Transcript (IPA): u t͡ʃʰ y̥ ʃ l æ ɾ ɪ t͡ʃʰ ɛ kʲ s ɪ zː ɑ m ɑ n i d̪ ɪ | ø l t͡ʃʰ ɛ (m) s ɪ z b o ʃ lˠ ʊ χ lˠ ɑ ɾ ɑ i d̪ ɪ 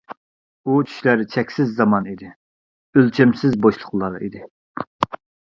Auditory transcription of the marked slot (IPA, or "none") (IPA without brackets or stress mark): m